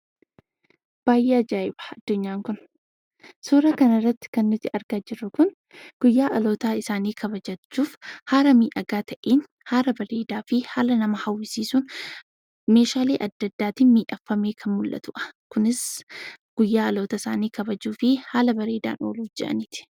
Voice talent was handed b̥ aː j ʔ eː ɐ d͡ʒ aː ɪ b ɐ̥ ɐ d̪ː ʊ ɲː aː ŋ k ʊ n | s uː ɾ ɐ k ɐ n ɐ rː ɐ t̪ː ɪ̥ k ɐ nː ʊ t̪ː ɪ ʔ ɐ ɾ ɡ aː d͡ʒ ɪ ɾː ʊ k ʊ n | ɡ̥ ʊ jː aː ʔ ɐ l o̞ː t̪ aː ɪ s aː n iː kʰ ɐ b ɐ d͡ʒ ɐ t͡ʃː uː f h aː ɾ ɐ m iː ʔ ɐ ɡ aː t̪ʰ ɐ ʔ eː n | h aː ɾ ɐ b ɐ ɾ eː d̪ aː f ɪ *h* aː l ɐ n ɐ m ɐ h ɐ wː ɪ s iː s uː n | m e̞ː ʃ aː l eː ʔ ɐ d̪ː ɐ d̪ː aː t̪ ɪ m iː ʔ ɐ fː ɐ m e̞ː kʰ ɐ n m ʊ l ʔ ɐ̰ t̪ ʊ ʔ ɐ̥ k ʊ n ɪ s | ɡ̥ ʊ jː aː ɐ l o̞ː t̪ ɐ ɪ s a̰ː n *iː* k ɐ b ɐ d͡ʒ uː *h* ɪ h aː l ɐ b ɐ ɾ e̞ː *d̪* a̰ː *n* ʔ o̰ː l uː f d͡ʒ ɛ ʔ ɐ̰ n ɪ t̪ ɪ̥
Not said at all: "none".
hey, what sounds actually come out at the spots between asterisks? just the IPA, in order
h, iː, f, d̪, n

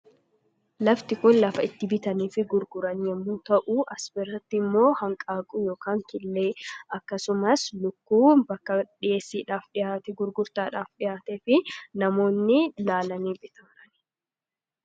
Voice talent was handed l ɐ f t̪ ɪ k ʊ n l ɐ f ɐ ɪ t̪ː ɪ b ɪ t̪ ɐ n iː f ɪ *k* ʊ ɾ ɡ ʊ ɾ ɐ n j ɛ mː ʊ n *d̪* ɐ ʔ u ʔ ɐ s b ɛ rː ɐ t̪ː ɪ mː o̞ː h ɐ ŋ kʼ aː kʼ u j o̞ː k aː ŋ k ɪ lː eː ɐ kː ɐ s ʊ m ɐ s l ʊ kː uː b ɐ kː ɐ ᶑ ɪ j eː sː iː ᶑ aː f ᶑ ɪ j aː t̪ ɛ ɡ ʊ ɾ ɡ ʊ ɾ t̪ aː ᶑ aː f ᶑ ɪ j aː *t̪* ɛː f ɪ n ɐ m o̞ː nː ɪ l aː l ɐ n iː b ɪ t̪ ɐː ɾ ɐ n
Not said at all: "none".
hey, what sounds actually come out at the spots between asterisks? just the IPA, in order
ɡ, t̪, t̪

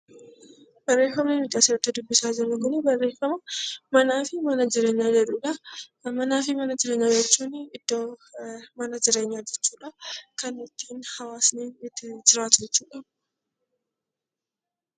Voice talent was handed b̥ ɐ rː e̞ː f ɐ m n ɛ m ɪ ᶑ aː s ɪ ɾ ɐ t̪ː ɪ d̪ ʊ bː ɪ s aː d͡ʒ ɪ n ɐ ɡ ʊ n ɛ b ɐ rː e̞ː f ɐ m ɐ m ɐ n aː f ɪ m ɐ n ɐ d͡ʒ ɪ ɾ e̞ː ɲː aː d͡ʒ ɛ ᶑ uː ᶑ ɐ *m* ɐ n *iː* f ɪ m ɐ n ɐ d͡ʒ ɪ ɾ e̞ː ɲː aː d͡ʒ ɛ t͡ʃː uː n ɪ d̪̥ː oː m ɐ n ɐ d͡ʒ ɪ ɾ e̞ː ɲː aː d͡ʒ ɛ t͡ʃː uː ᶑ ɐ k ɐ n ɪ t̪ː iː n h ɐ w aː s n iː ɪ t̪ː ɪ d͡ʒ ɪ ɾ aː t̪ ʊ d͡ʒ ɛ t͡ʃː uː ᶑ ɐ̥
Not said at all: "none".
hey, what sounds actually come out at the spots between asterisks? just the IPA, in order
m, aː

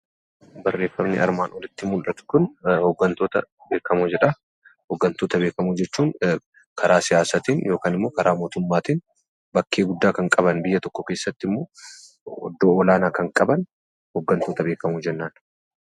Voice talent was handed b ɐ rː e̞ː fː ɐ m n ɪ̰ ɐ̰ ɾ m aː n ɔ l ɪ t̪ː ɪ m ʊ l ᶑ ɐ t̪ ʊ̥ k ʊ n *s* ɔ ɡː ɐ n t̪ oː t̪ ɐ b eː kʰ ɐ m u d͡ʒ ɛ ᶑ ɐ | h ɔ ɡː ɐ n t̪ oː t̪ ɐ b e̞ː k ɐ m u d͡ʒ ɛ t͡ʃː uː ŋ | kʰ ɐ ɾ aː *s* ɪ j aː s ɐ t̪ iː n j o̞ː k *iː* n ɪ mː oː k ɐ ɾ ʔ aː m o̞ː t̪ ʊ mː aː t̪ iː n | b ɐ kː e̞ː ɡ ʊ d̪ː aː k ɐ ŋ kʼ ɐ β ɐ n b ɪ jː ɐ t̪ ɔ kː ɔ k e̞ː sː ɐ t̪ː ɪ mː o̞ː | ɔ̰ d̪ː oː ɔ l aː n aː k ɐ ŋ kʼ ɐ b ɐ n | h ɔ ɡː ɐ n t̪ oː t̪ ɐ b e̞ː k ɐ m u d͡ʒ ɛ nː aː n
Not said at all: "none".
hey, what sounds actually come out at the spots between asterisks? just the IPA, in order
h, s, aː

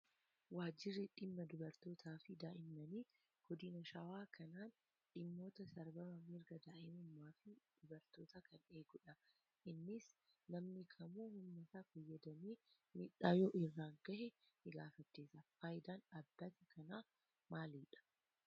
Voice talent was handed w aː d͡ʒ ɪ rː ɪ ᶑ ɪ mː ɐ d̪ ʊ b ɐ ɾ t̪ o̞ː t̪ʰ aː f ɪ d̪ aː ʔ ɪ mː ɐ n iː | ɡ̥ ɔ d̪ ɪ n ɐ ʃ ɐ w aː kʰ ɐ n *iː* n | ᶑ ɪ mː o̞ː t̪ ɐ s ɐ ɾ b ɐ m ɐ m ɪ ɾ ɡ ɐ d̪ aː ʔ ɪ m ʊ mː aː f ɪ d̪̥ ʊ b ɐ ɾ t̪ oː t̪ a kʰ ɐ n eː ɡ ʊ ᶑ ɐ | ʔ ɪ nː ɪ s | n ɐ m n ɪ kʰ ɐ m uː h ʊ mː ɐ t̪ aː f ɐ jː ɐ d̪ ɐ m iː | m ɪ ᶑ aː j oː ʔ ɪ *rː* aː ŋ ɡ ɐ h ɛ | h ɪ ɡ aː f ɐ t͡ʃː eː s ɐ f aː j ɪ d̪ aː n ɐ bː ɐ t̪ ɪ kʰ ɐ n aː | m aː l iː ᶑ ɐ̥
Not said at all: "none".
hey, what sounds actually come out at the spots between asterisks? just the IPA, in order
aː, rː

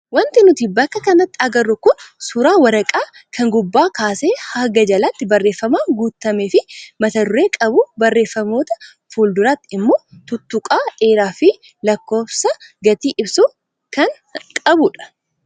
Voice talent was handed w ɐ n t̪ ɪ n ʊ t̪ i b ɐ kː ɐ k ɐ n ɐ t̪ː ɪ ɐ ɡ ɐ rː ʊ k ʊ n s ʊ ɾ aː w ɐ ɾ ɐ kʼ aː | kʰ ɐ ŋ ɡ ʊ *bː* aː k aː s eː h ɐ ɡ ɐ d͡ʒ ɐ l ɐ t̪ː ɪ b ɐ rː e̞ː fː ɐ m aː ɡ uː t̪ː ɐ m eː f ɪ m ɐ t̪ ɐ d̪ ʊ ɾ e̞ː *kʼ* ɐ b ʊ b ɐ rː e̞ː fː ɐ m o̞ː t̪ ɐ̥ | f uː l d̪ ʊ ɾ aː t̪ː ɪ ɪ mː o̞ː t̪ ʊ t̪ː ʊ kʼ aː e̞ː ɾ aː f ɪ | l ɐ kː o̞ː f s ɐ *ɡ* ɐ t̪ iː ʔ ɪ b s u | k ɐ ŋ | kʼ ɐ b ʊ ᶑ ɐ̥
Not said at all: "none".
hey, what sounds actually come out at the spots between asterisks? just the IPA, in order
bː, kʼ, ɡ

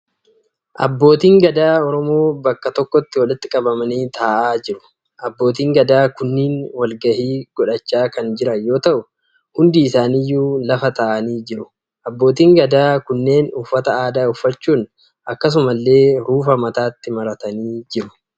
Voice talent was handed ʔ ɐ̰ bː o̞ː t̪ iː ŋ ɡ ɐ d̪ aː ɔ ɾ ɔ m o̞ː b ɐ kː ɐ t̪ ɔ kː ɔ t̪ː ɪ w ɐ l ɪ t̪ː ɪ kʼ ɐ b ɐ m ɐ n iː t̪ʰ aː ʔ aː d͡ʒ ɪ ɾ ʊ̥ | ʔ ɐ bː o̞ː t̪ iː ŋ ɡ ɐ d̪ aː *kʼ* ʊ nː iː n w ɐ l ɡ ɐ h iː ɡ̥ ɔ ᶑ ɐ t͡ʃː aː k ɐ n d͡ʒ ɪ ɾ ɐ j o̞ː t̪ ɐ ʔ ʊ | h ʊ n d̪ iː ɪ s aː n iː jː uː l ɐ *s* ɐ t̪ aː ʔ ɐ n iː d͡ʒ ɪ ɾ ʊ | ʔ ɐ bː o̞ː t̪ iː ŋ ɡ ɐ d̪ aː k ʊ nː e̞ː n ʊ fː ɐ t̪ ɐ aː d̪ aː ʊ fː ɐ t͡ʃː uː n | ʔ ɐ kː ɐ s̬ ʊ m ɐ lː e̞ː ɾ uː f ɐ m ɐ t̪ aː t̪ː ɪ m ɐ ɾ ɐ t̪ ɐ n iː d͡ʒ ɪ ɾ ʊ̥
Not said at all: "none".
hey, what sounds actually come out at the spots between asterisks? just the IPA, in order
k, f

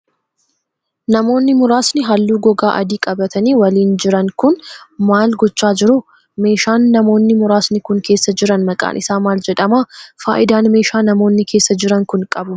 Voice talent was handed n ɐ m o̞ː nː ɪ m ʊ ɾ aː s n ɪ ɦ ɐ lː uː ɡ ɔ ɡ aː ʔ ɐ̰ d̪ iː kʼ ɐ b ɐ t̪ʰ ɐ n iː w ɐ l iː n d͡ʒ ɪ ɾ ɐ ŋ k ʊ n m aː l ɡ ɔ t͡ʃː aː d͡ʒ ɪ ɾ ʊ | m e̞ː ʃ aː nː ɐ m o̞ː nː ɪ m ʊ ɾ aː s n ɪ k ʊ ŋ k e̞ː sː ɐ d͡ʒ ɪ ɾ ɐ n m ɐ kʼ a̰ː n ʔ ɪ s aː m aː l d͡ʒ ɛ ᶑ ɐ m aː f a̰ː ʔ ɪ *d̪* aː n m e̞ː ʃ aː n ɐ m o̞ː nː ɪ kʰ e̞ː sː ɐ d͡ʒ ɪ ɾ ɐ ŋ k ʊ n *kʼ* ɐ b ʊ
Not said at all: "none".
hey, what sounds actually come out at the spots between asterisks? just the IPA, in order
d̪, kʼ

